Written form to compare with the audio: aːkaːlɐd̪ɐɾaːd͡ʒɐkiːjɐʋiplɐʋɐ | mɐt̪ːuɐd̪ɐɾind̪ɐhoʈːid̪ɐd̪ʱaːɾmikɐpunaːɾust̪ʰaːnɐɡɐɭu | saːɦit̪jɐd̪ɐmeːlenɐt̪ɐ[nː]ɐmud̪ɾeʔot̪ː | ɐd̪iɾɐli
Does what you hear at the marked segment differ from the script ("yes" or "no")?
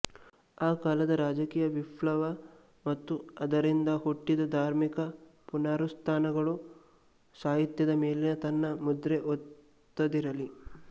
no